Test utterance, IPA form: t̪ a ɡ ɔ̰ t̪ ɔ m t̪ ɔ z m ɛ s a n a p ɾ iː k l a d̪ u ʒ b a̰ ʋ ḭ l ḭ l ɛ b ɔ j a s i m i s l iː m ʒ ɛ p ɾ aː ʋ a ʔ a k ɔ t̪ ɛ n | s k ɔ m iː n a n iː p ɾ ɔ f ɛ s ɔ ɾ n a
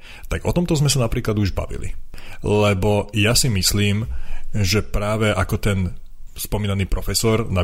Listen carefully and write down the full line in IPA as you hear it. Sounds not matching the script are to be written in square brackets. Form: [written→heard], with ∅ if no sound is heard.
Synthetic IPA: t̪ a ɡ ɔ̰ t̪ ɔ m t̪ ɔ z m ɛ s a n a p ɾ iː k l a d̪ u ʒ b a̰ ʋ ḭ l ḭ l ɛ b ɔ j a s i m i s l iː m ʒ ɛ p ɾ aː ʋ [a→ɛ] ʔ a k ɔ t̪ ɛ n | s [k→p] ɔ m iː n a n iː p ɾ ɔ f ɛ s ɔ ɾ n a